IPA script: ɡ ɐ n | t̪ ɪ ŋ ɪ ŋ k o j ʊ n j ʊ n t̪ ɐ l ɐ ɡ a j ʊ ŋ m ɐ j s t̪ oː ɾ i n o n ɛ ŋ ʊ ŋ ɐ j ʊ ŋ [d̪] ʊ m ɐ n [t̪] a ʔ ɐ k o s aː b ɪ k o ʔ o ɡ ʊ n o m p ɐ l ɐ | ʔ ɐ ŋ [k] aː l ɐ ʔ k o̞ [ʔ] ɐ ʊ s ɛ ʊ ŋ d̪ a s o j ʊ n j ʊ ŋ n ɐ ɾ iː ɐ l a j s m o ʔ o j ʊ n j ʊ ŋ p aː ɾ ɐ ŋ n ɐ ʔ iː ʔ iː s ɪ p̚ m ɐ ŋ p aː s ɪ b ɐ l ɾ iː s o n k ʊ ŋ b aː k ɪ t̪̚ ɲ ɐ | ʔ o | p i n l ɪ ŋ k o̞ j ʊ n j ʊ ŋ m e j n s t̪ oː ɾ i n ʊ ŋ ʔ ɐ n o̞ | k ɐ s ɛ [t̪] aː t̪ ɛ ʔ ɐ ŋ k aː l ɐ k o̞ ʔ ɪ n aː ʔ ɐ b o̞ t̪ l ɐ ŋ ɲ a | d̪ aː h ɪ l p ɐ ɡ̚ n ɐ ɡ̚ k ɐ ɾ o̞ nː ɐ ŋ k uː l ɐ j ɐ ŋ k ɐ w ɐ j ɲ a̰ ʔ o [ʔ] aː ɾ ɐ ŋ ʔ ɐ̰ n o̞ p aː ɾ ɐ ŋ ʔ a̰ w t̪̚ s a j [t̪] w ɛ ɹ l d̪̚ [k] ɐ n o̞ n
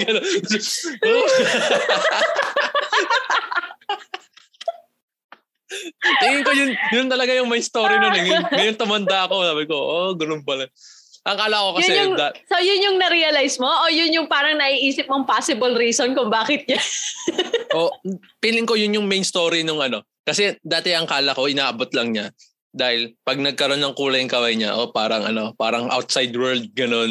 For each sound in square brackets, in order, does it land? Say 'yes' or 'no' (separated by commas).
no, no, yes, no, no, no, no, no